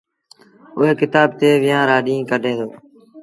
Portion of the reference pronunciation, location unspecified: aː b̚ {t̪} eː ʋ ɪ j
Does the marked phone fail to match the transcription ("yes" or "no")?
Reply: no